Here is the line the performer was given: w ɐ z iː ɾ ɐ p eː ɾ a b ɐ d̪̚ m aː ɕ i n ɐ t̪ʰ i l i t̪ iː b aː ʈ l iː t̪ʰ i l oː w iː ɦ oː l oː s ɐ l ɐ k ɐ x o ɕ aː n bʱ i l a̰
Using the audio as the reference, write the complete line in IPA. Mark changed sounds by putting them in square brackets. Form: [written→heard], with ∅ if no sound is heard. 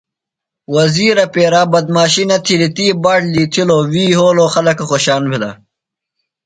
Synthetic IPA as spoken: w ɐ z iː ɾ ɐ p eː ɾ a b ɐ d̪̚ m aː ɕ i n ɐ t̪ʰ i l i t̪ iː b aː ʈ l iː t̪ʰ i l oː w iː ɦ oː l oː [s→x] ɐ l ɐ k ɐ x o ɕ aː n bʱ i l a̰